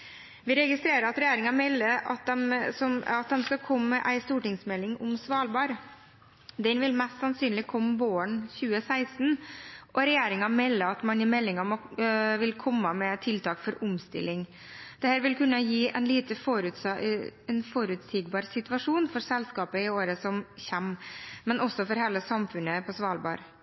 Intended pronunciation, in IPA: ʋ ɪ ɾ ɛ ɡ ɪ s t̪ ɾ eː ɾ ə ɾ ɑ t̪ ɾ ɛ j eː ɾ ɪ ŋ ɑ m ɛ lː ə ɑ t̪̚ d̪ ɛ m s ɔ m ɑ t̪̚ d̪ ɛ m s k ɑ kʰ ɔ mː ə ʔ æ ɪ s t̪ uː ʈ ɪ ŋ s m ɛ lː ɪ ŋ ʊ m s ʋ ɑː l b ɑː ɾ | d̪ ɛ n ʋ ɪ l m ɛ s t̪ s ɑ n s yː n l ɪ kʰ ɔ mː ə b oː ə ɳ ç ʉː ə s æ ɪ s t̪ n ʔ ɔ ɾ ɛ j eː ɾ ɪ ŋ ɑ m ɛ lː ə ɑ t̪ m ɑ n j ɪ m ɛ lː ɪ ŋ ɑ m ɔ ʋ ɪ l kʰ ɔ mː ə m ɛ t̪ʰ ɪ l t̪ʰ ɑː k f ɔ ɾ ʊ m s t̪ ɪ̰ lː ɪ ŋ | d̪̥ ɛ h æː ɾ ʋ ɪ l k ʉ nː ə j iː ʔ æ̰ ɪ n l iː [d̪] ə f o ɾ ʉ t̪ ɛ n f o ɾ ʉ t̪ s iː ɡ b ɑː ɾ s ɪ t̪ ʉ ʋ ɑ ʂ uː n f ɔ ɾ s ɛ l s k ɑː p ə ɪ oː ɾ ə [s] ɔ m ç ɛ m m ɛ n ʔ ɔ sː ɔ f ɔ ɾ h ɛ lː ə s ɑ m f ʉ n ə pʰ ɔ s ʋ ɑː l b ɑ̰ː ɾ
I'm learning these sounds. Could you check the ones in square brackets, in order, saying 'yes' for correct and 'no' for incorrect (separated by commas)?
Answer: no, yes